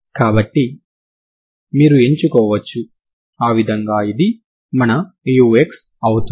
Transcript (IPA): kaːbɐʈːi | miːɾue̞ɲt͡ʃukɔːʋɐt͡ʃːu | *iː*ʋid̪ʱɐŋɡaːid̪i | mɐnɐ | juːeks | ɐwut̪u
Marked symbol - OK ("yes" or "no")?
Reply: no